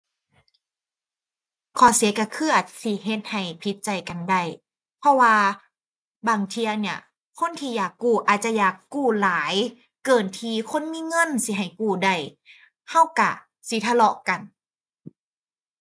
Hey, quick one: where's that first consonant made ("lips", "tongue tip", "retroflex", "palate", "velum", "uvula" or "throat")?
velum